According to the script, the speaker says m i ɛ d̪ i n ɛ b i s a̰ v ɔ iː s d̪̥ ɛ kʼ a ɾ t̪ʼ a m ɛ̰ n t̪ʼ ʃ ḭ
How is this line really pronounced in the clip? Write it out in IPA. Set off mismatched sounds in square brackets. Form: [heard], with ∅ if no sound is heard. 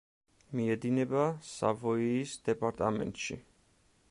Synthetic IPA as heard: m i ɛ d̪ i n ɛ b [a] s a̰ v ɔ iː s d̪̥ ɛ [pʼ] a ɾ t̪ʼ a m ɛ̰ n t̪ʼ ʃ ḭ